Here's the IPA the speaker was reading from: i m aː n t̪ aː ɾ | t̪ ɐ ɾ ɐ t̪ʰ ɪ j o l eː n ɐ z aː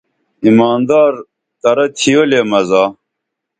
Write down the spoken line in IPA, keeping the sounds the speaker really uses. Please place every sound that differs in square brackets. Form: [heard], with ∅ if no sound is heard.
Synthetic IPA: i m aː n [d̪] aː ɾ | t̪ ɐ ɾ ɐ t̪ʰ [i] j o l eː [m] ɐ z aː